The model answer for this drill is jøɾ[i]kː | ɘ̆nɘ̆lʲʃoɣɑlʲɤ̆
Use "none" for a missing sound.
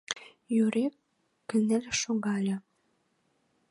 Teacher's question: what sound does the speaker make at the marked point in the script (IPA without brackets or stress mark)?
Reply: e